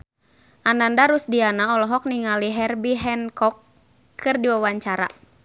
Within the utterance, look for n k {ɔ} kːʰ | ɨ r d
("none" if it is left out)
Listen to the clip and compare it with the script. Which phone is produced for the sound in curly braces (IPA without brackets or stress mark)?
ɔ